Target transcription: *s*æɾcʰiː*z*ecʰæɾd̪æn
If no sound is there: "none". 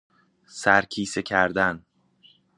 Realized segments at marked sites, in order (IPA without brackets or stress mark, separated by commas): s, s